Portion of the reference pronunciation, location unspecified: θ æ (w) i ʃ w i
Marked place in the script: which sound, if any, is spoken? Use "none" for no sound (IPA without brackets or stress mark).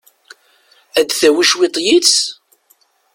w